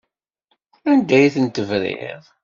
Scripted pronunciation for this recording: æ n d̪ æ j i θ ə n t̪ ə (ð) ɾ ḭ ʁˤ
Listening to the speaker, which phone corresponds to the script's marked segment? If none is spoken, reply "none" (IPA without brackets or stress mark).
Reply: v